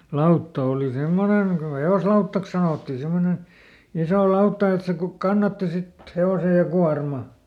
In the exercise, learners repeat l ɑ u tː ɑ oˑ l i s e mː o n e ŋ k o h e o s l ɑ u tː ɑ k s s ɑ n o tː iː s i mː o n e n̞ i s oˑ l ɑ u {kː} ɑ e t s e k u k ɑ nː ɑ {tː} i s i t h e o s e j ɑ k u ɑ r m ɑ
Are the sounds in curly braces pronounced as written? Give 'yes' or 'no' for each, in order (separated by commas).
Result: no, yes